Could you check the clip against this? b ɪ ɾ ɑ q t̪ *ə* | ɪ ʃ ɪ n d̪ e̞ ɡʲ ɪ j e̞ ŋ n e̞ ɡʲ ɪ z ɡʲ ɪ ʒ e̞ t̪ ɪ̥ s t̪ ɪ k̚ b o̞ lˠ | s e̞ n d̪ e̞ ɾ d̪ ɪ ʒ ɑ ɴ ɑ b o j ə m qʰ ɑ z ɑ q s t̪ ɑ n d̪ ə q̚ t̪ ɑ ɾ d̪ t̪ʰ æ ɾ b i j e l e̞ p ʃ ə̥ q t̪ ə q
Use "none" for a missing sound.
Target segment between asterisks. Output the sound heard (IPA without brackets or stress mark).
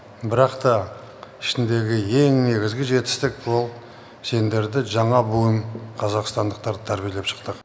ɑ